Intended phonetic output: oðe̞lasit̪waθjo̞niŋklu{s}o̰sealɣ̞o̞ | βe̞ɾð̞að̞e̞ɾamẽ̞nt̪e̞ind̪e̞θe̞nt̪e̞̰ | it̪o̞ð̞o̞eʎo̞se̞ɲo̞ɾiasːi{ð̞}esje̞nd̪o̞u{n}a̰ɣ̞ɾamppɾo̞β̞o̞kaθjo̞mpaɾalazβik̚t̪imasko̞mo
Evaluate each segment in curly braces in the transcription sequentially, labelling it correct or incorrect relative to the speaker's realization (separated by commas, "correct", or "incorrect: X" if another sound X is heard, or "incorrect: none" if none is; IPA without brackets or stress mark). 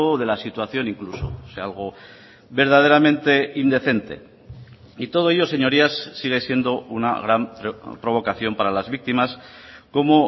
correct, incorrect: ɣ̞, correct